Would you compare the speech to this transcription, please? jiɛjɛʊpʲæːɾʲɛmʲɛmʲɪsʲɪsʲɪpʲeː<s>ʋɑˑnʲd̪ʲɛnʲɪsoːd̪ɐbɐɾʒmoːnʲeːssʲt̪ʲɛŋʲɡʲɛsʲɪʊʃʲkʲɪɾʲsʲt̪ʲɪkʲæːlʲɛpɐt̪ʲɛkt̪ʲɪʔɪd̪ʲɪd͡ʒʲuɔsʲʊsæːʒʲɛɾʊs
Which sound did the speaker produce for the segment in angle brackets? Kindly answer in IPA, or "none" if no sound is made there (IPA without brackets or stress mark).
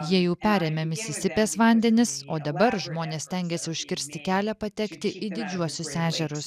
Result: s